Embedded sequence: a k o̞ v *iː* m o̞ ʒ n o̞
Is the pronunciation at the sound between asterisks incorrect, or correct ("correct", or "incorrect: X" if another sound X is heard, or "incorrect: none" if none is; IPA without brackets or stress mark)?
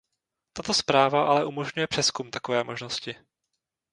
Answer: incorrect: ɛː